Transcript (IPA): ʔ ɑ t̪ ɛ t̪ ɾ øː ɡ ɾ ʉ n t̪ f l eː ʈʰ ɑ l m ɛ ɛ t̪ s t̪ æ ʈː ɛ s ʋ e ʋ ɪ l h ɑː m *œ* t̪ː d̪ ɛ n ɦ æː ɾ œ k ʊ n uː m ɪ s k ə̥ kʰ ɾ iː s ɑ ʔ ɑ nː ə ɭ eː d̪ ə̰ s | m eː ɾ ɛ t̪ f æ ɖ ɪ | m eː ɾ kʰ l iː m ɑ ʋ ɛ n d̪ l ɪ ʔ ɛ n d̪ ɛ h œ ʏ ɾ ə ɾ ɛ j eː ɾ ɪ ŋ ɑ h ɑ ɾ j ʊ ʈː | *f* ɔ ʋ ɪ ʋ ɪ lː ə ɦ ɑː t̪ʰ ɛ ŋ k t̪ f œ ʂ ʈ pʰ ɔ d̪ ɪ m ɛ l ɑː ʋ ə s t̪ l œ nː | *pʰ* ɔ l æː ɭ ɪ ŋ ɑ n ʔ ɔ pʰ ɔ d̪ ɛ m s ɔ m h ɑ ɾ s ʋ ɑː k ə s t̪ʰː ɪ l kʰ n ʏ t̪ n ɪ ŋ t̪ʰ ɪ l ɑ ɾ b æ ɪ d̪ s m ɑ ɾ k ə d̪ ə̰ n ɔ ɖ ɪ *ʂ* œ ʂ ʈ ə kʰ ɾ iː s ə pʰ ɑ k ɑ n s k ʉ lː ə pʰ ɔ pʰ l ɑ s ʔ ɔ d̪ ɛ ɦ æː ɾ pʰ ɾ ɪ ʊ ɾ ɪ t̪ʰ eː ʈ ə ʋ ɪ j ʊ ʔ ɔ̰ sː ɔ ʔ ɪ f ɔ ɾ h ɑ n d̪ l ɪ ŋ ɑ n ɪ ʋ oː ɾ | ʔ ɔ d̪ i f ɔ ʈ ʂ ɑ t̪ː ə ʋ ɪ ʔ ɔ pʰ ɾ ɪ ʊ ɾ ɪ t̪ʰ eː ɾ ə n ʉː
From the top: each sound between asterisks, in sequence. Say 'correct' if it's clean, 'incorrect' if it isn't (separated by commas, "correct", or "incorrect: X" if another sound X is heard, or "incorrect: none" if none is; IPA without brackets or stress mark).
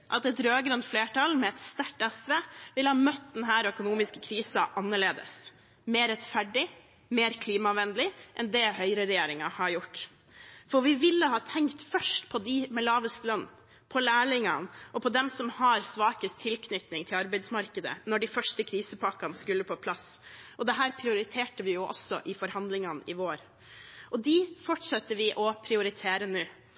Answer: correct, correct, correct, incorrect: f